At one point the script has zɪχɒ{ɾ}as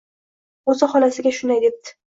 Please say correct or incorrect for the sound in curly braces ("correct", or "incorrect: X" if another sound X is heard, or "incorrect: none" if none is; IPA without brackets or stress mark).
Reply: incorrect: l